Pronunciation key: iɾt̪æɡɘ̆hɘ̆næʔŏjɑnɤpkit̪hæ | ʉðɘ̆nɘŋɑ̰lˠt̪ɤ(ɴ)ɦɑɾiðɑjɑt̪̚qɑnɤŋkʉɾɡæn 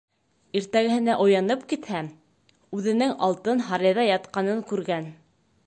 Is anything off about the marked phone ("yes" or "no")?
yes